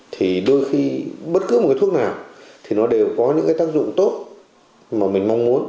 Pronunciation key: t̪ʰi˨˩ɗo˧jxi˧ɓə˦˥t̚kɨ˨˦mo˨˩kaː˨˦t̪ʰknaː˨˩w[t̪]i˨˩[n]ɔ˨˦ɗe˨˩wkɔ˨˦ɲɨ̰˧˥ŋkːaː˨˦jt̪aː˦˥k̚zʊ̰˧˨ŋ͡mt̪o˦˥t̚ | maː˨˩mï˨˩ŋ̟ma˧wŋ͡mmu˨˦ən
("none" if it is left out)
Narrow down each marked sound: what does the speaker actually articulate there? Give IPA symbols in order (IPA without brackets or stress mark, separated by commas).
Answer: t̪ʰ, n